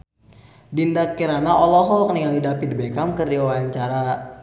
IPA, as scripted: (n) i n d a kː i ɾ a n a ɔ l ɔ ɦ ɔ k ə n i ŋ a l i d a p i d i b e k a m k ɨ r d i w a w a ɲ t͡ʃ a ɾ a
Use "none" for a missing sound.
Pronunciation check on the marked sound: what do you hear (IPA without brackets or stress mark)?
d